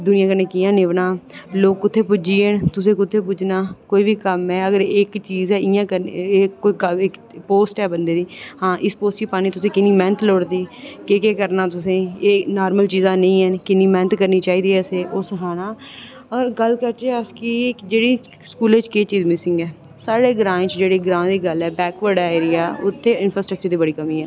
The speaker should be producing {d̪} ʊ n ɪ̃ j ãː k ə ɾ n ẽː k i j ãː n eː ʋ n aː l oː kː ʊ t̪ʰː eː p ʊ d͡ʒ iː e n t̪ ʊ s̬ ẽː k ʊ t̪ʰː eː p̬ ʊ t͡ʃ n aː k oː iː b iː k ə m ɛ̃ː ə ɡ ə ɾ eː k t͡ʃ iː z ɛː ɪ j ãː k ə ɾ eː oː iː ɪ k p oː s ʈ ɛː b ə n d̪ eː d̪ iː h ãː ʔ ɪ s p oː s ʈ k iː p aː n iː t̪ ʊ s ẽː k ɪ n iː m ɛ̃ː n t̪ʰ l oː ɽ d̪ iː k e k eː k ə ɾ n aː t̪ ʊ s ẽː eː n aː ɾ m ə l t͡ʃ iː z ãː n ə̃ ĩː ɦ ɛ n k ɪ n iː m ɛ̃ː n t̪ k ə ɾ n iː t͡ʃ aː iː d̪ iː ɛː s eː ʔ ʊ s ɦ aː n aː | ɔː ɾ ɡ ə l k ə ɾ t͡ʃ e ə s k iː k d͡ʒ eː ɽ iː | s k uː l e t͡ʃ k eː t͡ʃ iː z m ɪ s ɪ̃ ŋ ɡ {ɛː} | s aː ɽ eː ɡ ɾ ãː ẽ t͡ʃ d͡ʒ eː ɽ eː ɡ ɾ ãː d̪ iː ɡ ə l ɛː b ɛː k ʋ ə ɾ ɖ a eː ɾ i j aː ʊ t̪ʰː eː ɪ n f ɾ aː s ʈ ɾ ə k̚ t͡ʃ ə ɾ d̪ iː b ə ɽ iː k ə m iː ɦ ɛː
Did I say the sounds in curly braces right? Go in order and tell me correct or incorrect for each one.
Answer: correct, correct

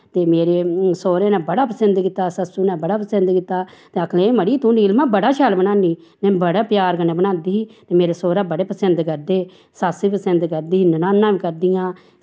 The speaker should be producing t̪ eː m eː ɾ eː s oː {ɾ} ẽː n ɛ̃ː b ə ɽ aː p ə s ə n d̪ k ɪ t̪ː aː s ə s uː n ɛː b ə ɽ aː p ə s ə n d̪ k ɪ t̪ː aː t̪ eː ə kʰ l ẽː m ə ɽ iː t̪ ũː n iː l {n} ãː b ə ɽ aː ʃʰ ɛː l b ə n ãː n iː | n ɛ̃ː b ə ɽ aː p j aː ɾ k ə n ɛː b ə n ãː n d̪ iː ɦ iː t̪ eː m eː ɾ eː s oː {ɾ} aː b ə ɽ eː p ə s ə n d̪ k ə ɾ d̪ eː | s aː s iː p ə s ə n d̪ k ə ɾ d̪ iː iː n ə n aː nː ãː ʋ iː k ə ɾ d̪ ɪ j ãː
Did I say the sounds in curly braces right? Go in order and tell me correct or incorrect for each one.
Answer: correct, incorrect: m, correct

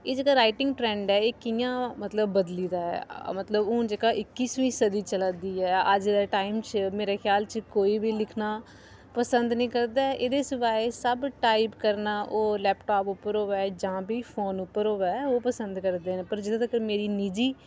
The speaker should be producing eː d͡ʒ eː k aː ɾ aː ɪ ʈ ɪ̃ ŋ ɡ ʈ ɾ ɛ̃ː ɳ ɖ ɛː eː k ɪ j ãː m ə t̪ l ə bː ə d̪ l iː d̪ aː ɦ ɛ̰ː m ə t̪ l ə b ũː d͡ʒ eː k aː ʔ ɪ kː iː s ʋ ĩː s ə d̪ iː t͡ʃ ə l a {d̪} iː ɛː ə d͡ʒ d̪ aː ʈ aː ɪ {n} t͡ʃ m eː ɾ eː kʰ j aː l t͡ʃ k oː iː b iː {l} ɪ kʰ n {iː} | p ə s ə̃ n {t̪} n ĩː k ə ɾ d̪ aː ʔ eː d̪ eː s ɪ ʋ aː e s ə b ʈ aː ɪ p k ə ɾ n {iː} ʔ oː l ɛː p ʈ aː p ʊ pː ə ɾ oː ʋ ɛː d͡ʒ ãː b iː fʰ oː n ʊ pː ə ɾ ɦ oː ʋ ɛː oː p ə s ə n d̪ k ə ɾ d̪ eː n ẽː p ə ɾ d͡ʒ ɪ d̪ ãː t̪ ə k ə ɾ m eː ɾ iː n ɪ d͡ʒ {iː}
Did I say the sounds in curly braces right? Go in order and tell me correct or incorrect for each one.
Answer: correct, incorrect: m, correct, incorrect: aː, incorrect: d̪, incorrect: aː, correct

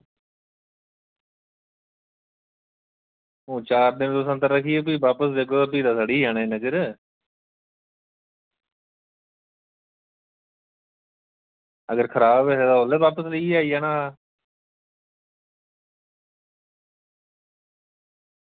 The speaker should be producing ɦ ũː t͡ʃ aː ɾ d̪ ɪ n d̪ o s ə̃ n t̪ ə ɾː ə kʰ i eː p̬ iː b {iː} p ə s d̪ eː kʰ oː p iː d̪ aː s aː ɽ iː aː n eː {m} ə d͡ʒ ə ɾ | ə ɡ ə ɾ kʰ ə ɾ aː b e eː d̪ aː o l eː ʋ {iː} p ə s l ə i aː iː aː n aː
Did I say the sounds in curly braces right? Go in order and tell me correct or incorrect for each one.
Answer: incorrect: aː, incorrect: n, incorrect: aː

